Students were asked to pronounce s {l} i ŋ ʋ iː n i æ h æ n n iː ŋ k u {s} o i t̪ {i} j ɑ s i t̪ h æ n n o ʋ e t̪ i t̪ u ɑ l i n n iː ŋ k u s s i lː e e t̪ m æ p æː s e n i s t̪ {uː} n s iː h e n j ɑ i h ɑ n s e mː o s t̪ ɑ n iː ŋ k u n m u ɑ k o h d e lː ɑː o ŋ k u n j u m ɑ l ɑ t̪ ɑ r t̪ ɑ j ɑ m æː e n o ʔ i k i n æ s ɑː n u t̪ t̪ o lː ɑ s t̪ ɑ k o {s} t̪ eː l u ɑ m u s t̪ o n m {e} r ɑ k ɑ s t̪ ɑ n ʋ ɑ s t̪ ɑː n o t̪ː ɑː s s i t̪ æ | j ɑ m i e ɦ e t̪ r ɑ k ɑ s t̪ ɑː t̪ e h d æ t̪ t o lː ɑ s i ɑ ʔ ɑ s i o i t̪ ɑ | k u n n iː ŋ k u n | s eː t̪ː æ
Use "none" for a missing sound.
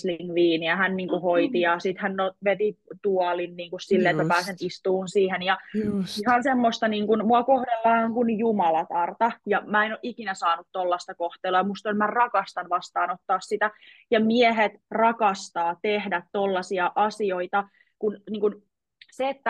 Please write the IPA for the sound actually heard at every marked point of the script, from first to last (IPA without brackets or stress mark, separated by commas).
l, h, i, uː, h, æ